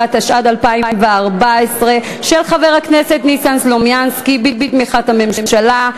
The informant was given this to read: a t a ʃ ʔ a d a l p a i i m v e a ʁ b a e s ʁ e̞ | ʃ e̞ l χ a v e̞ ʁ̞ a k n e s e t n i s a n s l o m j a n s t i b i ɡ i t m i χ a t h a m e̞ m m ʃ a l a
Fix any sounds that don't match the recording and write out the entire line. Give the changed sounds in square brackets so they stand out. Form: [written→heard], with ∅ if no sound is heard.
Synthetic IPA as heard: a t a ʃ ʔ a d a l p a i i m v e a ʁ b a e s ʁ e̞ | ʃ e̞ l χ a v e̞ ʁ̞ a k n e s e t n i s a n s l o m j a n s [t→k] i b i [ɡ→b] i t m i χ a t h a m e̞ m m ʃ a l a